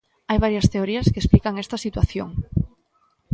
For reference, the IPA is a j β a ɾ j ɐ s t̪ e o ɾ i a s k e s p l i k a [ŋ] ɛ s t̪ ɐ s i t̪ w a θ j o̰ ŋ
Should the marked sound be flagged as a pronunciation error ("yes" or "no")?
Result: no